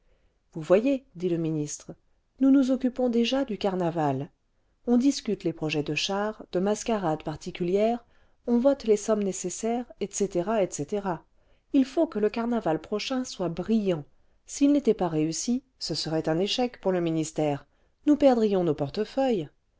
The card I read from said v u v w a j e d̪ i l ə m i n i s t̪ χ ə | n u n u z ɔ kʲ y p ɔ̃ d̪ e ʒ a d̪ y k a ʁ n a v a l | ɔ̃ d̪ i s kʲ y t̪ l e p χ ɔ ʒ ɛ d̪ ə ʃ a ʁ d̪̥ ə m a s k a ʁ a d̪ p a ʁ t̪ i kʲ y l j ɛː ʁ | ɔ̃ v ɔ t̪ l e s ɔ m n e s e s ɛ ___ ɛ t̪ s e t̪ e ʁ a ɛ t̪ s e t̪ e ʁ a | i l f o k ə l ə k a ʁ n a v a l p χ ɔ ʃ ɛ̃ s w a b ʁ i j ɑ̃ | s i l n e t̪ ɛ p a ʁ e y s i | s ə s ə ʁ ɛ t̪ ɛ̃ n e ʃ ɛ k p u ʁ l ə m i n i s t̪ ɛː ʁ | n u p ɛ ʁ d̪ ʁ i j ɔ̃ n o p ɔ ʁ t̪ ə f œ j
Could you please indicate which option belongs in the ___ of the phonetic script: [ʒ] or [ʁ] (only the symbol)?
ʁ